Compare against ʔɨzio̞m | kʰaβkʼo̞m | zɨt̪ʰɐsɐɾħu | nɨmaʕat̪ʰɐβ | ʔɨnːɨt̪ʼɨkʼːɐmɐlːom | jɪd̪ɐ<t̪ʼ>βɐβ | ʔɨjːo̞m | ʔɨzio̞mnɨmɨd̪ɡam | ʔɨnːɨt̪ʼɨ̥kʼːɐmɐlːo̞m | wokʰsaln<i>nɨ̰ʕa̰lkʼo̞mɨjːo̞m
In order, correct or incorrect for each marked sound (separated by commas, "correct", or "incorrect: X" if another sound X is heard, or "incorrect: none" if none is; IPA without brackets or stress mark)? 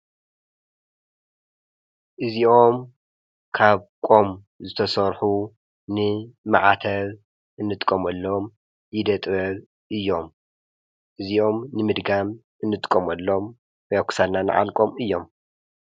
correct, incorrect: a